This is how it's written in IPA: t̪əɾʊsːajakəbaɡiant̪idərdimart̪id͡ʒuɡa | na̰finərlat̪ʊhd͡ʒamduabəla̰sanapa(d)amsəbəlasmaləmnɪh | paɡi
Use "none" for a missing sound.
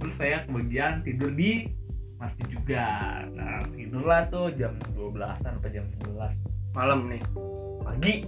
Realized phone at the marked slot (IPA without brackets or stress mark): d͡ʒ